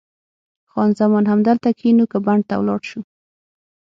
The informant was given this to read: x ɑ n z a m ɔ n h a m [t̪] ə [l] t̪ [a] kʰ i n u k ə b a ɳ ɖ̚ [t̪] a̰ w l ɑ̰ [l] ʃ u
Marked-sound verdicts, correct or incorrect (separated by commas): incorrect, correct, correct, correct, incorrect